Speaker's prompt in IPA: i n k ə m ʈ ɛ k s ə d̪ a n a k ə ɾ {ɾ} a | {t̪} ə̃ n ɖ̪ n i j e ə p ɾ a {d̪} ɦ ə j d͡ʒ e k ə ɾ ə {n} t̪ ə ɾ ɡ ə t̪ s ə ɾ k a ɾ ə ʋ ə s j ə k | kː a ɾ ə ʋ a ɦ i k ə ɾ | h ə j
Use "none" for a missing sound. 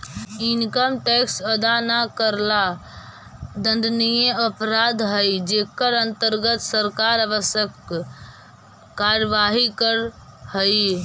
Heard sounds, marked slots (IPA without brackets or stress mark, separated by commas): l, d̪, d̪, n